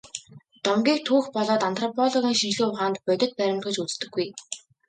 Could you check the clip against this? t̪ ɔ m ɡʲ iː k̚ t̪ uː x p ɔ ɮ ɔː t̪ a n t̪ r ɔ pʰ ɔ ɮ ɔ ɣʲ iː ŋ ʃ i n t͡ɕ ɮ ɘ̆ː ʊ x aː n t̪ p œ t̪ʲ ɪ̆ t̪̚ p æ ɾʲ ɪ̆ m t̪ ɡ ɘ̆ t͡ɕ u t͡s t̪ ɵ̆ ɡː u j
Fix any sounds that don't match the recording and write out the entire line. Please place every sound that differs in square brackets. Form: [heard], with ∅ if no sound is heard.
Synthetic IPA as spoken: t̪ ɔ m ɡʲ iː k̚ [t̪ʰ] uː x p ɔ ɮ ɔː t̪ a n t̪ r ɔ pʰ ɔ ɮ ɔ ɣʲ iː ŋ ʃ i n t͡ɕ ɮ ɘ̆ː ʊ [χ] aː n t̪ p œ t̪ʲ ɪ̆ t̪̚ p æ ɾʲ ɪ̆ m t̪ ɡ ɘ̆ t͡ɕ u t͡s t̪ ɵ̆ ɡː u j